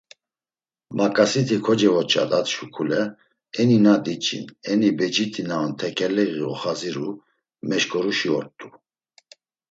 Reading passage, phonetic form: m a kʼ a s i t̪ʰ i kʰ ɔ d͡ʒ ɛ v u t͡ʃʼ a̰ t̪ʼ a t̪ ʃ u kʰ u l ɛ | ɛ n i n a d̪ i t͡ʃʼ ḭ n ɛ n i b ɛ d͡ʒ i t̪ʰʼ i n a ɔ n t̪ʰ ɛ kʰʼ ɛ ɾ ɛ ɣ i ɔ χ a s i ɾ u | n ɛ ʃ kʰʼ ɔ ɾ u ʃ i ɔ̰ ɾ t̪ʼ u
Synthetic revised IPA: m a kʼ a s i t̪ʰ i kʰ ɔ d͡ʒ ɛ v ɔ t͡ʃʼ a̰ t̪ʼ a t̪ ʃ u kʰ u l ɛ | ɛ n i n a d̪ i t͡ʃʼ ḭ n ɛ n i b ɛ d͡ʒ i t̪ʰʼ i n a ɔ n t̪ʰ ɛ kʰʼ ɛ l ɛ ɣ i ɔ χ a z i ɾ u | m ɛ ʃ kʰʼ ɔ ɾ u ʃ i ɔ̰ ɾ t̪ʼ u